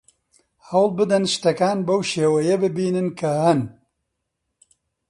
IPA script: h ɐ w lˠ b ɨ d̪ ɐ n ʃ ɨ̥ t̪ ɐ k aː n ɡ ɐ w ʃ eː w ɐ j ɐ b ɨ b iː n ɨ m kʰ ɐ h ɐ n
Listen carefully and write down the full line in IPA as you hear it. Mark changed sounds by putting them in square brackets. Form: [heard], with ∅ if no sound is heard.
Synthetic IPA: h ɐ w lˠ b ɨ d̪ ɐ n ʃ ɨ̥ t̪ ɐ k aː n [b] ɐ w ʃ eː w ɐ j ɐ b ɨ b iː n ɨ [n] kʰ ɐ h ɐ n